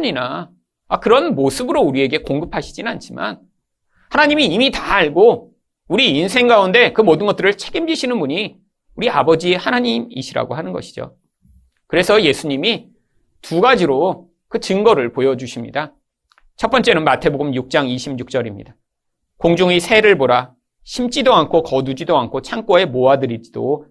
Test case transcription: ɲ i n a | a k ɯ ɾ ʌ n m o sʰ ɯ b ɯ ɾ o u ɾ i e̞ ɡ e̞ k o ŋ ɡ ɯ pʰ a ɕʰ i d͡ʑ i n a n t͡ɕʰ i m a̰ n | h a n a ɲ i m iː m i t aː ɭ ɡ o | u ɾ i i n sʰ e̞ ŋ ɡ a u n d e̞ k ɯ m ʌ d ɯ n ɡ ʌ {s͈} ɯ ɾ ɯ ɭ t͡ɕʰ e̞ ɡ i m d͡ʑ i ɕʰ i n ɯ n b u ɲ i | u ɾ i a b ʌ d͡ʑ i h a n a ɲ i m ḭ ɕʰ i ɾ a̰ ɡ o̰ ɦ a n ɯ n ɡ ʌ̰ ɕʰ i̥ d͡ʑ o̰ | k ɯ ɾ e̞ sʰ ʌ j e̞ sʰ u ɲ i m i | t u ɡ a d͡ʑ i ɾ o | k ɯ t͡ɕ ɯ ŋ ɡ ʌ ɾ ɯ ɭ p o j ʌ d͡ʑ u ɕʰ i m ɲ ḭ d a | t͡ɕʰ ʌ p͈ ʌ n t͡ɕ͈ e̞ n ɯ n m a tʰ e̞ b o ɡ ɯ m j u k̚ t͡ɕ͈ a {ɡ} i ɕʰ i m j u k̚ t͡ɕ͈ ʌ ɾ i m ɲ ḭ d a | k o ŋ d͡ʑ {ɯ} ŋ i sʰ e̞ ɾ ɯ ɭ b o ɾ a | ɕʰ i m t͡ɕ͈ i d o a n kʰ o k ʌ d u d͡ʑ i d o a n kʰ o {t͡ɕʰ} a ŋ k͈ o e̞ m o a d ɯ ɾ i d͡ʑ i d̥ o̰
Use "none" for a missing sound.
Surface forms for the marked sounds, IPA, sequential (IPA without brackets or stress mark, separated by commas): t͈, ŋ, u, t͡ɕʰ